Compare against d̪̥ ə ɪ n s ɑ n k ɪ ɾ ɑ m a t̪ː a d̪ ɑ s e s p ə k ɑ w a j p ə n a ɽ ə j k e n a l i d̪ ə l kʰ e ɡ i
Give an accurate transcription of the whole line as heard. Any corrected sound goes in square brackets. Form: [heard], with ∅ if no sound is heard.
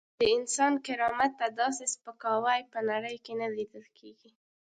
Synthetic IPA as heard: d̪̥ ə ɪ n s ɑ n k ɪ ɾ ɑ m a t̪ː a d̪ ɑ s e s p ə k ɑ w a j p ə n a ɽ ə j k e n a l i d̪ ə l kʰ e ɡ i